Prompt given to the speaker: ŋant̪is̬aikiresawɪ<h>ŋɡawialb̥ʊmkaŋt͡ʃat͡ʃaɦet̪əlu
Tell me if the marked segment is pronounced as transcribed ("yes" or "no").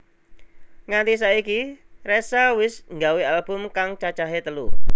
no